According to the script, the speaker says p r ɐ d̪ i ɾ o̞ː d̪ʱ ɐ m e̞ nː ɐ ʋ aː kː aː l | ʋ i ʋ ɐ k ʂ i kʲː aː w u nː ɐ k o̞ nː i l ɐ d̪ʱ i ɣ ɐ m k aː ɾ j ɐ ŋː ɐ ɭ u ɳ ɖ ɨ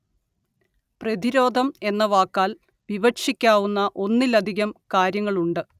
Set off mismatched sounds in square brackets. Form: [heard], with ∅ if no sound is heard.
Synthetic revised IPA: p r ɐ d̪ i ɾ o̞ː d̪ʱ ɐ m e̞ nː ɐ ʋ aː kː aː l | ʋ i ʋ ɐ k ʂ i kʲː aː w u nː ɐ [ʔ] o̞ nː i l ɐ d̪ʱ i ɣ ɐ m k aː ɾ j ɐ ŋː ɐ ɭ u ɳ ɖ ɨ